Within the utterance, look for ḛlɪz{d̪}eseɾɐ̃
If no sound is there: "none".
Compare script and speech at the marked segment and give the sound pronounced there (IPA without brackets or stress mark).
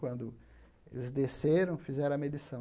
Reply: d̪